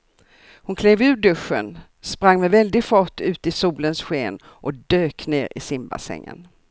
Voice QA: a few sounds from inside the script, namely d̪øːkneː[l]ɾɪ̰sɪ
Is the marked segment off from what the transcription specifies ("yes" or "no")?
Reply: yes